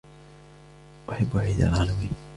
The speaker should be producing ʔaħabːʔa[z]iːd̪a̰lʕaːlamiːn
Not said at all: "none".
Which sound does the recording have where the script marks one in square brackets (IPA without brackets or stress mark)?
ʕ